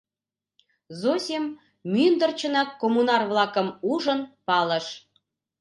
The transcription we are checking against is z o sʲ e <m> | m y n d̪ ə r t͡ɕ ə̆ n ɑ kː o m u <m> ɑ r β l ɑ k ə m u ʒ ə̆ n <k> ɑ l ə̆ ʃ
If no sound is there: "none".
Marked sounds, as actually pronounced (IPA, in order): m, n, p

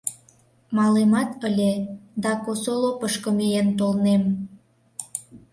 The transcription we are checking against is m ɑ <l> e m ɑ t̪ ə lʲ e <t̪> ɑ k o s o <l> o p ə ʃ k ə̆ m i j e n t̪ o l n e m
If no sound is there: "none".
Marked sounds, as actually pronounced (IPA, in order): l, d̪, l

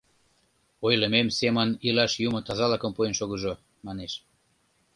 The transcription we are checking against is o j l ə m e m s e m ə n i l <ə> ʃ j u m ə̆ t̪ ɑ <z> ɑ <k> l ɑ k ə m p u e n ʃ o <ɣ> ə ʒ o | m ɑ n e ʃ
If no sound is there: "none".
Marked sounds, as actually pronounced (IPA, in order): ɑ, z, none, ɣ

